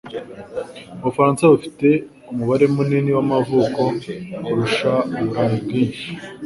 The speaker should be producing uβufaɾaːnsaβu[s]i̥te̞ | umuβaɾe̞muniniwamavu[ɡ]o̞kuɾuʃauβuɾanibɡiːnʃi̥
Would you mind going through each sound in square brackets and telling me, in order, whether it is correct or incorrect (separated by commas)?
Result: incorrect, incorrect